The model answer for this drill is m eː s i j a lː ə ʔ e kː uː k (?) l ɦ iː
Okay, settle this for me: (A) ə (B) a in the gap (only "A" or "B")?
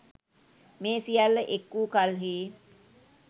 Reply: B